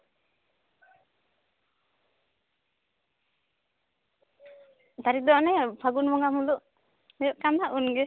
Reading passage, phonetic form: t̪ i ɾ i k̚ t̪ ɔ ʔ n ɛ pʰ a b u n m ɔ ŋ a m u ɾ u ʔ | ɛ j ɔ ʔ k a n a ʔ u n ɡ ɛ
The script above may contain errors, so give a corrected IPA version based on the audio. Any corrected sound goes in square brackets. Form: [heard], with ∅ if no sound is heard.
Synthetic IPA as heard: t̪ [a] ɾ i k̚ [d̪] ɔ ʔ n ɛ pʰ a [ɡ] u n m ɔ ŋ a m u [l] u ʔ | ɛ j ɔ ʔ k a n a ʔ u n ɡ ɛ